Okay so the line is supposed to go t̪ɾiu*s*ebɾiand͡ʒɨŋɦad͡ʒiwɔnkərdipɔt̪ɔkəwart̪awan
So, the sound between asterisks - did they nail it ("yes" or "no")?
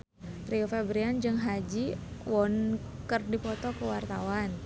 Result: no